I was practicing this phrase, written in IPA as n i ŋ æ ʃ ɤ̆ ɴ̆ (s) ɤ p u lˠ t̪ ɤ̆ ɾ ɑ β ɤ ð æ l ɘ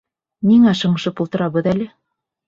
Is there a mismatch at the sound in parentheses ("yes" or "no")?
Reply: yes